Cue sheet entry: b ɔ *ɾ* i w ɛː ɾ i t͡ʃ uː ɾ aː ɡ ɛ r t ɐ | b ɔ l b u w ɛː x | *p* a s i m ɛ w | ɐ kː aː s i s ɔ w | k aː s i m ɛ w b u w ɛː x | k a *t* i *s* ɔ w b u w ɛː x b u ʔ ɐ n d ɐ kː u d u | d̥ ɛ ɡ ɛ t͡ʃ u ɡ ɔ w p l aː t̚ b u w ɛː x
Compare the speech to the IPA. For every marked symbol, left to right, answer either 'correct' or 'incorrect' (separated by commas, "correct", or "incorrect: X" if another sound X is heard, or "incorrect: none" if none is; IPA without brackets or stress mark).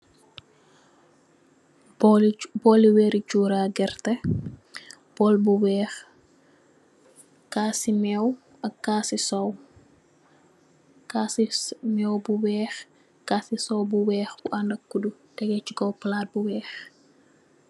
incorrect: l, incorrect: k, incorrect: s, correct